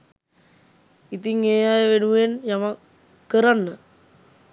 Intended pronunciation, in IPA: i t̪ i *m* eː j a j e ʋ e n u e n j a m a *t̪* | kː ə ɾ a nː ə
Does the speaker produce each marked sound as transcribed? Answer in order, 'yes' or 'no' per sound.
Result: no, no

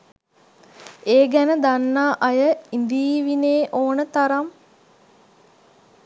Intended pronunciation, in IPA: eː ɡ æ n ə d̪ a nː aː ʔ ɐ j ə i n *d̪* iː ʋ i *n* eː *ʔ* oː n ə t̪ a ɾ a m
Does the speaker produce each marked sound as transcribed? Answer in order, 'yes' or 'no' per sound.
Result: yes, yes, yes

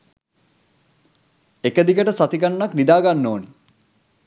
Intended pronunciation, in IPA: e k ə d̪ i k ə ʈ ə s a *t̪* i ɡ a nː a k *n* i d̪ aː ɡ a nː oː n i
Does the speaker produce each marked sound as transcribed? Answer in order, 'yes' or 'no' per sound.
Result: yes, yes

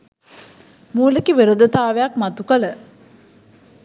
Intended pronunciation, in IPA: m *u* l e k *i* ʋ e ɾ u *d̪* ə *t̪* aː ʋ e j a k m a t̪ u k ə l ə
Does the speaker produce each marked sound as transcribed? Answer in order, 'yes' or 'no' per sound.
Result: no, yes, yes, yes

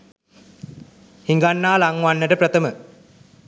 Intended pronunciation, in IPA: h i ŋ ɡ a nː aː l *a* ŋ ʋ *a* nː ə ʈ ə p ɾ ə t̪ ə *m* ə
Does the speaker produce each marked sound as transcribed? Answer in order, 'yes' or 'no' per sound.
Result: yes, yes, yes

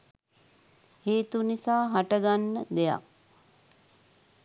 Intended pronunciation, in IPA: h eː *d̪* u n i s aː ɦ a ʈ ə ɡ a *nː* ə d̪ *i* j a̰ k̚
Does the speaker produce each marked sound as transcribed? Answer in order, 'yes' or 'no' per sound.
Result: no, yes, no

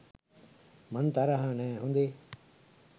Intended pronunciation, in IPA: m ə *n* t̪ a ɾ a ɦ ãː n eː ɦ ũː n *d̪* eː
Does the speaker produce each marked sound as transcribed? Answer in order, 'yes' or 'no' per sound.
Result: yes, yes

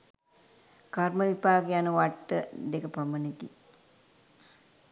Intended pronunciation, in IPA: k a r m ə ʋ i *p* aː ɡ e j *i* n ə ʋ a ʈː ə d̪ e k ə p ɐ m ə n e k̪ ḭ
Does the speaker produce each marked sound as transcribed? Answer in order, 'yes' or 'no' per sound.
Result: yes, no

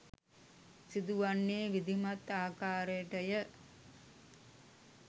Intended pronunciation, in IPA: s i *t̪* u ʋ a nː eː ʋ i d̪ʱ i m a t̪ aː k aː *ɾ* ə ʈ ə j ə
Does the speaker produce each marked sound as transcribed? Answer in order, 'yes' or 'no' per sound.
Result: no, yes

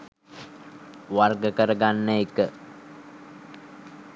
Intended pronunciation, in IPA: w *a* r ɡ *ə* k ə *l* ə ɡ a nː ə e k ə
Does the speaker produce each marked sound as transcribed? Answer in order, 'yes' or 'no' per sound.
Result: yes, yes, no

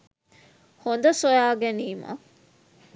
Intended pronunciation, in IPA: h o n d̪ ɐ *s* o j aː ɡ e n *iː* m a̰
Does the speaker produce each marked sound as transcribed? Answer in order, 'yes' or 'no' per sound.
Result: yes, yes

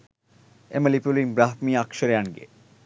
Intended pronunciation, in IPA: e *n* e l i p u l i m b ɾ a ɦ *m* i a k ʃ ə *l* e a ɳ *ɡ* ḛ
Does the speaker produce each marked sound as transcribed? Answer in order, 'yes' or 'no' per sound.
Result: no, yes, no, yes

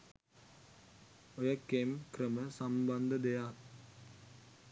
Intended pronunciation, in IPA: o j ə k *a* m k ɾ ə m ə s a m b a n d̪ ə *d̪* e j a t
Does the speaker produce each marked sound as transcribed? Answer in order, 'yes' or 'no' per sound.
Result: no, yes

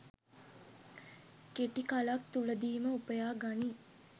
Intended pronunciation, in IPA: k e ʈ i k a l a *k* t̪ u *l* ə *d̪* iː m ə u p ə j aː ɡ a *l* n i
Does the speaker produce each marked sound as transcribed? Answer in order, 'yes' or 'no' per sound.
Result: yes, yes, yes, no

